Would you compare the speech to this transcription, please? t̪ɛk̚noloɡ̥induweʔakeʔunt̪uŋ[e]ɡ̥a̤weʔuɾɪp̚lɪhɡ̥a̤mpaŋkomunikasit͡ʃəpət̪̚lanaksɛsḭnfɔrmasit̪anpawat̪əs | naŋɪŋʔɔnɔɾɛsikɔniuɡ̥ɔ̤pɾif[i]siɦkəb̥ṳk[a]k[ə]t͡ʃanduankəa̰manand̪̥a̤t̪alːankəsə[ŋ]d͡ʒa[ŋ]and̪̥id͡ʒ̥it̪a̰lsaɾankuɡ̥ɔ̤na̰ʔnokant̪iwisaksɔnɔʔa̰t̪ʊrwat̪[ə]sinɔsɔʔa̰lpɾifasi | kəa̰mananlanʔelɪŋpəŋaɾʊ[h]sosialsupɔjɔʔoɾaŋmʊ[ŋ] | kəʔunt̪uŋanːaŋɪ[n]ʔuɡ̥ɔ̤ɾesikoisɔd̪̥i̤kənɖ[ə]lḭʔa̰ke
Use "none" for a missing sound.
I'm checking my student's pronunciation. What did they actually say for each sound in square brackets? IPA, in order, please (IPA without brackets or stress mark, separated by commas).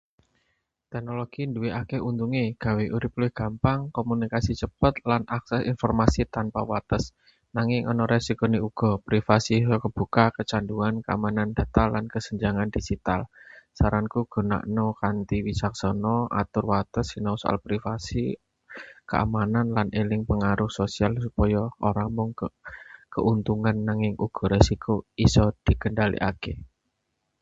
e, a, a, ə, ɲ, ŋ, ə, h, ŋ, ŋ, a